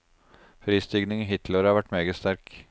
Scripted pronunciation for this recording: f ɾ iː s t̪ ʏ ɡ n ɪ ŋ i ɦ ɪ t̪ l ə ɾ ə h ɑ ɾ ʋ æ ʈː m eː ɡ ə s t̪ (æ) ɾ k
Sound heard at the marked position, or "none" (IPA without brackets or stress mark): æ